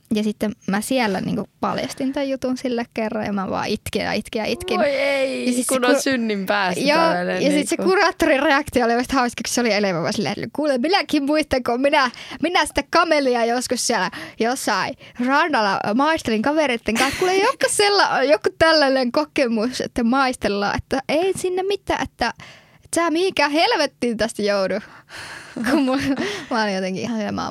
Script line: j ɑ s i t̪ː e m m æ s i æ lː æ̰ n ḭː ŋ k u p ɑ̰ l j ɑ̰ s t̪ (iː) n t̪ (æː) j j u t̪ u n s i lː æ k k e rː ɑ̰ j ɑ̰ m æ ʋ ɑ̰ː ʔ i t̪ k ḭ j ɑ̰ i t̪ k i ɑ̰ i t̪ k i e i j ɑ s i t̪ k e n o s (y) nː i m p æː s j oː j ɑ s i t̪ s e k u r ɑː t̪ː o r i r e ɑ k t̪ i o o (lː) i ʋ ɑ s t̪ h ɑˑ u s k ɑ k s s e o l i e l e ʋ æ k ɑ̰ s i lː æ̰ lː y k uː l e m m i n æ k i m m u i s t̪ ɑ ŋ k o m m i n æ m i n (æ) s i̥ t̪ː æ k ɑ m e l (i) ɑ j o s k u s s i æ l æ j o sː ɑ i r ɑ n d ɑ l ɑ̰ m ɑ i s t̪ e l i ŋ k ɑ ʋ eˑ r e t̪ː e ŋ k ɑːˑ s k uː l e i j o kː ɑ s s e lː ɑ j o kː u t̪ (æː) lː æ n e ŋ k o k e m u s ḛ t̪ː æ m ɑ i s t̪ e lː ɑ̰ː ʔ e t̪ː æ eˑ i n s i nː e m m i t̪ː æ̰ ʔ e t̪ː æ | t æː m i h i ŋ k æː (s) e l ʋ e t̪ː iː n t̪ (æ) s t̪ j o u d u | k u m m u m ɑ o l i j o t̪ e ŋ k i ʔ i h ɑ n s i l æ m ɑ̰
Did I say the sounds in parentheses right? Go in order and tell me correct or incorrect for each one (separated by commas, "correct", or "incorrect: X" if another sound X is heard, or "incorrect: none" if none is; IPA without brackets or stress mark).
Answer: incorrect: i, incorrect: æ, correct, incorrect: l, correct, correct, incorrect: æ, incorrect: h, correct